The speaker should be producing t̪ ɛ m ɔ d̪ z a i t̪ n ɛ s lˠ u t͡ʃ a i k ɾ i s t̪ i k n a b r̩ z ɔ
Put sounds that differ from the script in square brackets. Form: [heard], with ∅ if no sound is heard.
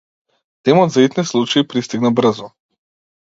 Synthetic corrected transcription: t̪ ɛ m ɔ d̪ z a i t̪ n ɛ s lˠ u t͡ʃ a i [p] ɾ i s t̪ i [ɡ] n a b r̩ z ɔ